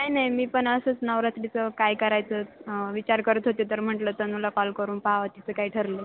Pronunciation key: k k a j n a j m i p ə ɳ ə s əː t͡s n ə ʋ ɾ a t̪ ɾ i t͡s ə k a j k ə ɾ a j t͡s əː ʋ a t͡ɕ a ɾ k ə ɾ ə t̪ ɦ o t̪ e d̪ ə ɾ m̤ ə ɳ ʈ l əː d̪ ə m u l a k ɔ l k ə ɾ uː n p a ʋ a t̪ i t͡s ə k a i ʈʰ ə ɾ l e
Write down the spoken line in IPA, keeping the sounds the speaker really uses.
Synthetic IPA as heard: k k a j n a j m iː p ə ɳ ə s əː t͡s n ə ʋ ɾ a t̪ ɾ i t͡s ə k a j k ə ɾ a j t͡s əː ʋ i t͡ɕ a ɾ k ə ɾ ə t̪ ɦ o t̪ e t̪ ə ɾ m̤ ə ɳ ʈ l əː t̪ ə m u l a k ɔ l k ə ɾ uː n p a ʋ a t̪ i t͡s ə k a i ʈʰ ə ɾ l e